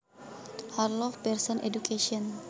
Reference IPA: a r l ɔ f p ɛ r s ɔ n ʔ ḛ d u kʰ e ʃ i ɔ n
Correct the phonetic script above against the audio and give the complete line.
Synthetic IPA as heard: a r l ɔ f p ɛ r s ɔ n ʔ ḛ d u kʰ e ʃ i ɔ n